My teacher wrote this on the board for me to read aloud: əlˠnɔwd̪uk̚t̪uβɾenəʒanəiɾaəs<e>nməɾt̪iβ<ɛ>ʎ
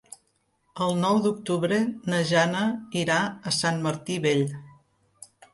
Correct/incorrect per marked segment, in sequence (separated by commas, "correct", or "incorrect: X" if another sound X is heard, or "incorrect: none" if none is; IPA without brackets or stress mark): incorrect: a, incorrect: e